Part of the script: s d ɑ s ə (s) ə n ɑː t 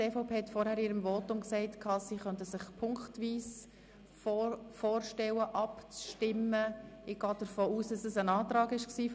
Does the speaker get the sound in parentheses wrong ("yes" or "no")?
no